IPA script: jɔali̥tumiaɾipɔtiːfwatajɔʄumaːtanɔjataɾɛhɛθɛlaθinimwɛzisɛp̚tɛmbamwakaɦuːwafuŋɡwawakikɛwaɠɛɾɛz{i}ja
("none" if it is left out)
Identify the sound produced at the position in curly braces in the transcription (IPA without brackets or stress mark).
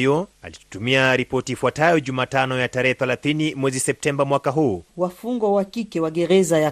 a